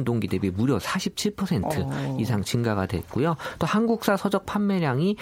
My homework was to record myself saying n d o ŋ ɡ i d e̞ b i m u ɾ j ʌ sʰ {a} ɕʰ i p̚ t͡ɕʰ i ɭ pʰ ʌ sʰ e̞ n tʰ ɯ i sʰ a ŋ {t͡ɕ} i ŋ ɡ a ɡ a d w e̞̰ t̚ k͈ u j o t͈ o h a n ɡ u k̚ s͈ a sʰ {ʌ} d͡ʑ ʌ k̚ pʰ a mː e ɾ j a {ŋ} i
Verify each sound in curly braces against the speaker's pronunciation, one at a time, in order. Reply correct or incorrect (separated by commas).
correct, correct, correct, correct